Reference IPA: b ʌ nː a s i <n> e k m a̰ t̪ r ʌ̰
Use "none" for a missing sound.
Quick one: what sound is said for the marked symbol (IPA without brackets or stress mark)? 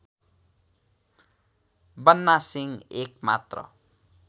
ŋ